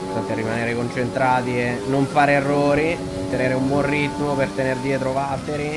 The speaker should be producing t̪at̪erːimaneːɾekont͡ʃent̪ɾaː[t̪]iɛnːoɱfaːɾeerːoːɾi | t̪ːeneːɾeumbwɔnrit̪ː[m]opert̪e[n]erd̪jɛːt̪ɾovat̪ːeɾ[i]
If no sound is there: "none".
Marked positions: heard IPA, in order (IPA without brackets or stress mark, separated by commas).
t̪, m, n, i